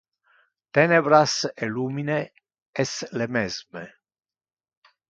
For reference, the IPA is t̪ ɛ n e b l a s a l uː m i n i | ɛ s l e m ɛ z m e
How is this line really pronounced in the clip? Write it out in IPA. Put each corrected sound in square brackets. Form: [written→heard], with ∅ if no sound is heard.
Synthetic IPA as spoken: t̪ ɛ n e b [l→ɾ] a s [a→e] l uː m i n [i→e] | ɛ s l e m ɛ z m e